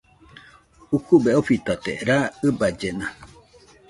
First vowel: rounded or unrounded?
rounded